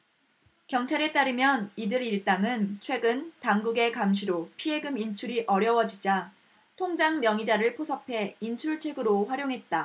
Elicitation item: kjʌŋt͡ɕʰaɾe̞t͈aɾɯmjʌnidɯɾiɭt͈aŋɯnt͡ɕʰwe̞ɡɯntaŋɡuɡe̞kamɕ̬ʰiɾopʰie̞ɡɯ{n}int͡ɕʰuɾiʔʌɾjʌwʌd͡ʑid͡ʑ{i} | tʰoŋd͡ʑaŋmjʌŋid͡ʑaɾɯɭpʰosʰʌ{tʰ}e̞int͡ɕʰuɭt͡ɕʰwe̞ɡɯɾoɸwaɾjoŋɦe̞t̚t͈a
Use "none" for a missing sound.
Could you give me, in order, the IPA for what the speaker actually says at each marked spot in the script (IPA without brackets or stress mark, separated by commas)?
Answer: m, a, pʰ